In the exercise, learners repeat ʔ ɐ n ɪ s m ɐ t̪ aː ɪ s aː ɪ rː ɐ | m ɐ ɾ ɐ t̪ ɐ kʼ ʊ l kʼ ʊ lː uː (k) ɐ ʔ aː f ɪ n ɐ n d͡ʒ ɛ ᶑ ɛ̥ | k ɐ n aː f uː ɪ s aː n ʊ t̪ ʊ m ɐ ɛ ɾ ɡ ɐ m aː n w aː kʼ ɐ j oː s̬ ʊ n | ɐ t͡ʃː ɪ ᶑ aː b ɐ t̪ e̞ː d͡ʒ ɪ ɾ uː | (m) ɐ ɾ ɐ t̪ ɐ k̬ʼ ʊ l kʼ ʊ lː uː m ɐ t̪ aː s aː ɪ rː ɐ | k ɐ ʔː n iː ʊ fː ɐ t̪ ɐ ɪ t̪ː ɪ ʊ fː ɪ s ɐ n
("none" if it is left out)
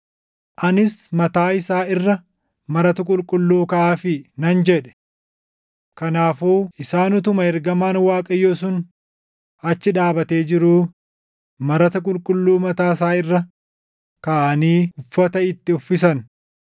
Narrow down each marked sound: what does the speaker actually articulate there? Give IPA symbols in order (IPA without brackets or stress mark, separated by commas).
k, m